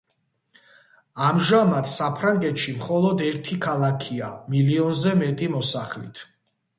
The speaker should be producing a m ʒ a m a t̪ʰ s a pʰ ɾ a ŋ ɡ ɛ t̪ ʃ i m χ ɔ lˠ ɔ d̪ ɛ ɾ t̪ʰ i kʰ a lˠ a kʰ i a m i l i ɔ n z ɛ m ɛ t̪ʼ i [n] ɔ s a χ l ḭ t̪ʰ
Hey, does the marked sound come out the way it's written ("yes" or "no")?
no